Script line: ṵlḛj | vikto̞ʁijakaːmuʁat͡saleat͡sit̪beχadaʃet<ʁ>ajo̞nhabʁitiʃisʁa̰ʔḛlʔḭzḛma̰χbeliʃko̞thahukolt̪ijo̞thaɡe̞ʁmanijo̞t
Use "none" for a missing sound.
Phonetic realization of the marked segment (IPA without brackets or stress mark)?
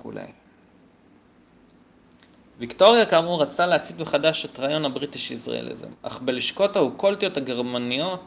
ʁ